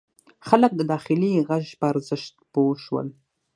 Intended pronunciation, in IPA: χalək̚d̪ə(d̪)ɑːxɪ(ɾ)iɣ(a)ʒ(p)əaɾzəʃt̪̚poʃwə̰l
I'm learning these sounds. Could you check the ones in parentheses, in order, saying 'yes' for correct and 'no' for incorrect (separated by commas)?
yes, no, yes, yes